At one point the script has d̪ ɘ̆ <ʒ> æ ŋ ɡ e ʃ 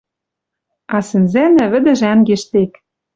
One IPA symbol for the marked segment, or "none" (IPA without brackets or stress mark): ʒ